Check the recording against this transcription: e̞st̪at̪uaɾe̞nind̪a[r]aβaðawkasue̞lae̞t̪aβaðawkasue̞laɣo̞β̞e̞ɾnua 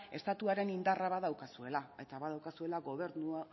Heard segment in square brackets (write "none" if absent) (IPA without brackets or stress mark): r